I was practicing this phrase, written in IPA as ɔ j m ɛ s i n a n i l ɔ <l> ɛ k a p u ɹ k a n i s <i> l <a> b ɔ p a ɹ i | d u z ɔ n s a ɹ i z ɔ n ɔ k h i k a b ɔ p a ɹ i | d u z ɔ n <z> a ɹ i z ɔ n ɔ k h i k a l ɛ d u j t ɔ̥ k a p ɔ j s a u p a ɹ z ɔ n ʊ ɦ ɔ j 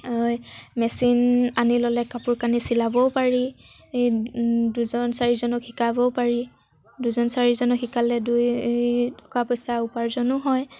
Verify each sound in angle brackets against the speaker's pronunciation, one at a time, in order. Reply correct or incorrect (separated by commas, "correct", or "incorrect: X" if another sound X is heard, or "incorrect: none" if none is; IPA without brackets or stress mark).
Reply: correct, correct, correct, incorrect: s